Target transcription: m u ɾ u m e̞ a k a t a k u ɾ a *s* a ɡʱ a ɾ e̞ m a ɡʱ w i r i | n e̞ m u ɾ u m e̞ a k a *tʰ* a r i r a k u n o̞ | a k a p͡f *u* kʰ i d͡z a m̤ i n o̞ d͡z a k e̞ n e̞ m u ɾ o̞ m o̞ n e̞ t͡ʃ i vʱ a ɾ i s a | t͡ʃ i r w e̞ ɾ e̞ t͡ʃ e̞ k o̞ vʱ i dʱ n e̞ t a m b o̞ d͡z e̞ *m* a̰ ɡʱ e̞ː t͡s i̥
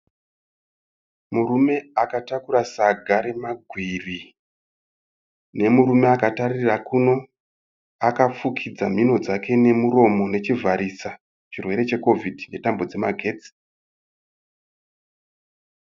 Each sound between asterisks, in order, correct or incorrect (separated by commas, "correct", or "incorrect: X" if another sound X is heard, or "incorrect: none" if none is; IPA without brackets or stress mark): correct, incorrect: t, correct, correct